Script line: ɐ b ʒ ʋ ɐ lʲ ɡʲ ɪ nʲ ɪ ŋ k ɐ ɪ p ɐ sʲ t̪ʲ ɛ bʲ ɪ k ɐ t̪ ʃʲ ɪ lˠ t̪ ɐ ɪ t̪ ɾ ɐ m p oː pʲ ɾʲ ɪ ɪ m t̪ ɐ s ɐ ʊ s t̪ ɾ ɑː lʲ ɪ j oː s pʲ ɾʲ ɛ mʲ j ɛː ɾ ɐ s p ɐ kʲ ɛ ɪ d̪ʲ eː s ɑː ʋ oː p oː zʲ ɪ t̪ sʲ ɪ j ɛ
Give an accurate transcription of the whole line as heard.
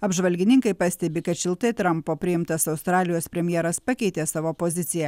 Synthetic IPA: ɐ b ʒ ʋ ɐ lʲ ɡʲ ɪ nʲ ɪ ŋ k ɐ ɪ p ɐ sʲ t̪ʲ ɛ bʲ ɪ k ɐ t̪ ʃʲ ɪ lˠ t̪ ɐ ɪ t̪ ɾ ɐ m p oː pʲ ɾʲ ɪ ɪ m t̪ ɐ s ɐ ʊ s t̪ ɾ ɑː lʲ ɪ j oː s pʲ ɾʲ ɛ mʲ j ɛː ɾ ɐ s p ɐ kʲ ɛ ɪ t̪ʲ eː s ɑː ʋ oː p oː zʲ ɪ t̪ sʲ ɪ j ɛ

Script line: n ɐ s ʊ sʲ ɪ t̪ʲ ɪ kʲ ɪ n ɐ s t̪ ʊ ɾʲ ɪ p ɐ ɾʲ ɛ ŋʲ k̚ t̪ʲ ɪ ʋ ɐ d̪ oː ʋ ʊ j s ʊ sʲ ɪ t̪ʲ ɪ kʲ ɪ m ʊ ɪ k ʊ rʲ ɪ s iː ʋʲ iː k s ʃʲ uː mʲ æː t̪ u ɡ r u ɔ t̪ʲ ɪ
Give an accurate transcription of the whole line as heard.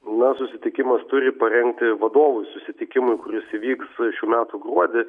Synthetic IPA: n ɐ s ʊ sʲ ɪ t̪ʲ ɪ kʲ ɪ m ɐ s t̪ ʊ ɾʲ ɪ p ɐ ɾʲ ɛ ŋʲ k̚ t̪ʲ ɪ ʋ ɐ d̪ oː ʋ ʊ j s ʊ sʲ ɪ t̪ʲ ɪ kʲ ɪ m ʊ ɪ k ʊ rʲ ɪ s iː ʋʲ iː k s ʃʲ uː mʲ æː t̪ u ɡ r u ɔ d̪ʲ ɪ

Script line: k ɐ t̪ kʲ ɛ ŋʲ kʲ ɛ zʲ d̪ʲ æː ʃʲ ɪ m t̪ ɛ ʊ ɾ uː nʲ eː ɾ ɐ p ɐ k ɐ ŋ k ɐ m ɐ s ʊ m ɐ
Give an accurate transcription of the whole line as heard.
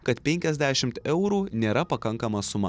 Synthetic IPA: k ɐ t̪ pʲ ɛ ŋʲ kʲ ɛ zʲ d̪ʲ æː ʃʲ ɪ m t̪ ɛ ʊ ɾ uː nʲ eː ɾ ɐ p ɐ k ɐ ŋ k ɐ m ɐ s ʊ m ɐ

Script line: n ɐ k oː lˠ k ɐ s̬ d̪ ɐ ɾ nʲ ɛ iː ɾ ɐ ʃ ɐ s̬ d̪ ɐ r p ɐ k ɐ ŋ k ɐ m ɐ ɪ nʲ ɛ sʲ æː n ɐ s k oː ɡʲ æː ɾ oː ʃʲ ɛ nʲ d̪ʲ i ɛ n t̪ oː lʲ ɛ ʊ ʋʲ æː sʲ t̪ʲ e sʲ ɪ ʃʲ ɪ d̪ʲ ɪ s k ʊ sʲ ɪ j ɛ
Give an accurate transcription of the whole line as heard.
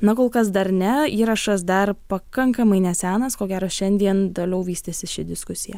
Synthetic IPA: n ɐ k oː lˠ k ɐ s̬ d̪ ɐ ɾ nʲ ɛ iː ɾ ɐ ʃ ɐ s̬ d̪ ɐ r p ɐ k ɐ ŋ k ɐ m ɐ ɪ nʲ ɛ sʲ æː n ɐ s k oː ɡʲ æː ɾ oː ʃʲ ɛ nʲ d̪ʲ i ɛ n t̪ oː lʲ ɛ ʊ ʋʲ iː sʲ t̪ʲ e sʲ ɪ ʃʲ ɪ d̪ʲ ɪ s k ʊ sʲ ɪ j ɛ

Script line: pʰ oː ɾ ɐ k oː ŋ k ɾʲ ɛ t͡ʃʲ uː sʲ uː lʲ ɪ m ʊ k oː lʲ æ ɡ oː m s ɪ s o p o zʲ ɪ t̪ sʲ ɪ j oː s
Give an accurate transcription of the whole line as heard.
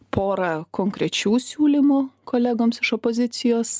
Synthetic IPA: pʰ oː ɾ ɐ k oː ŋ k ɾʲ ɛ t͡ʃʲ uː sʲ uː lʲ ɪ m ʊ k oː lʲ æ ɡ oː m s ɪ ʃ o p o zʲ ɪ t̪ sʲ ɪ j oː s

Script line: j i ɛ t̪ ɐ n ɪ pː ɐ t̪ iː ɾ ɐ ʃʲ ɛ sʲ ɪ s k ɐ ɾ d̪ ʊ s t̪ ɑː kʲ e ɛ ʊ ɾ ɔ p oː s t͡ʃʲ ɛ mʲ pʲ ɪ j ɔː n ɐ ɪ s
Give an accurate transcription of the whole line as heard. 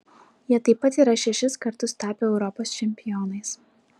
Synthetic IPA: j i ɛ t̪ ɐ ɪ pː ɐ t̪ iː ɾ ɐ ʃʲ ɛ ʃʲ ɪ s k ɐ ɾ t̪ ʊ s t̪ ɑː pʲ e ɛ ʊ ɾ ɔ p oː s t͡ʃʲ ɛ mʲ pʲ ɪ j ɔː n ɐ ɪ s

